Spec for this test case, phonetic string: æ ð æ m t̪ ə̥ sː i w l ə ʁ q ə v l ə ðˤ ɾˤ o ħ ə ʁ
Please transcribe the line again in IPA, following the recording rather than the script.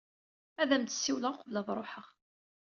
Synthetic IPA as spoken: æ ð æ m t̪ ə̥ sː i w l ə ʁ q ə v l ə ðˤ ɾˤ o ħ ə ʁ